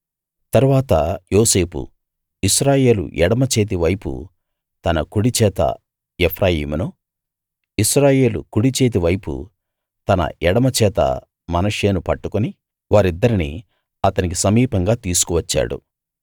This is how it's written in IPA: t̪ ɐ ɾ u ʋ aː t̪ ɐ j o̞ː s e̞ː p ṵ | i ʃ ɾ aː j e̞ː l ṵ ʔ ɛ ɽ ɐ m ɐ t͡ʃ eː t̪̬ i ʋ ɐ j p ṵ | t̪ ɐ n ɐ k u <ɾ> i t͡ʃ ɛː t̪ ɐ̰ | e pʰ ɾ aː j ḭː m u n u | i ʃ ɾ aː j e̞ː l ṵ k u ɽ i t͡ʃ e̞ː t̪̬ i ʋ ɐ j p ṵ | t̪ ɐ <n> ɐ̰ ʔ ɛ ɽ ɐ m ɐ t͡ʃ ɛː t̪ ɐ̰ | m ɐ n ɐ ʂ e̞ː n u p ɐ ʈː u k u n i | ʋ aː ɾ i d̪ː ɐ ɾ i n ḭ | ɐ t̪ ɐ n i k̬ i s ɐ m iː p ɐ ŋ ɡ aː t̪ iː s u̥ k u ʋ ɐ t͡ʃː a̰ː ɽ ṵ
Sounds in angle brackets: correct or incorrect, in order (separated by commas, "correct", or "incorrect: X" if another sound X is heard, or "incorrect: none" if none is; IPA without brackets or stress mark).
incorrect: ɽ, correct